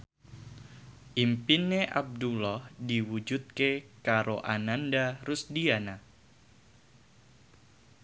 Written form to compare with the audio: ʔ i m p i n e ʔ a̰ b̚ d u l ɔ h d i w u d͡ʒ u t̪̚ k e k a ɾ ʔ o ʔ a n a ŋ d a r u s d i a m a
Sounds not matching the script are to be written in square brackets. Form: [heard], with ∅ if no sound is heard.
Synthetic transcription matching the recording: ʔ i m p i n e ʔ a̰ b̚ d u l ɔ h d i w u d͡ʒ u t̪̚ k e k a ɾ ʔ o ʔ a n a [n] d a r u s d i a [n] a